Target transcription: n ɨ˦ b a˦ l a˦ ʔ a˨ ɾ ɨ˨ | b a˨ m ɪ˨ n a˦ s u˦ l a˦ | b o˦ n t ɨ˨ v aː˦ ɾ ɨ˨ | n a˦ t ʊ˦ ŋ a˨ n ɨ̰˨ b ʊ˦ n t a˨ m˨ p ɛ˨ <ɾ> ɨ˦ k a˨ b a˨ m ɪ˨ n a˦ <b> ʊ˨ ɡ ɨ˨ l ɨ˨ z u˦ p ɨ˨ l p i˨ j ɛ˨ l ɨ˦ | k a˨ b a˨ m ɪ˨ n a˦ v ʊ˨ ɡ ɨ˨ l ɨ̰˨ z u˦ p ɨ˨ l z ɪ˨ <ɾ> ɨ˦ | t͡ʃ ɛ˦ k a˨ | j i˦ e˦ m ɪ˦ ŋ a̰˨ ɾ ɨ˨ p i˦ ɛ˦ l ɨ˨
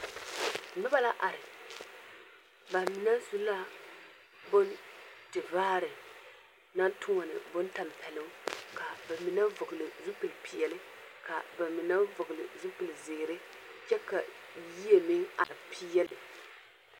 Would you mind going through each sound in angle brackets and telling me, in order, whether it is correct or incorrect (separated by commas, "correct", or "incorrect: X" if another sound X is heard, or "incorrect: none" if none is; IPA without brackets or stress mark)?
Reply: incorrect: l, incorrect: v, correct